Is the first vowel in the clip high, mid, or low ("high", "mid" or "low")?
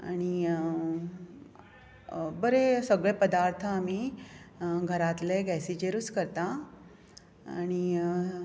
low